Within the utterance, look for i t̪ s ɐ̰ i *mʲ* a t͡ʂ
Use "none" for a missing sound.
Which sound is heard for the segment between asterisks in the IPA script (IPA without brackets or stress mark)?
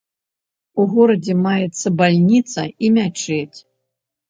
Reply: mʲ